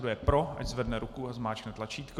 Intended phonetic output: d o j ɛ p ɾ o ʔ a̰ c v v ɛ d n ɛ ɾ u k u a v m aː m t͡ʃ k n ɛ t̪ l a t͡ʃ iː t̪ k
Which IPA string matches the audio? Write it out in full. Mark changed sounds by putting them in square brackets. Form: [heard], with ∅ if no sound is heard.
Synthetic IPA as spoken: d [u] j ɛ p ɾ o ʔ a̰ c [z] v ɛ d n ɛ ɾ u k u a [z] m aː [∅] t͡ʃ k n ɛ t̪ l a t͡ʃ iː t̪ k